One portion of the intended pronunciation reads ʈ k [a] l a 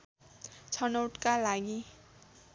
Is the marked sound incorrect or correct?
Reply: correct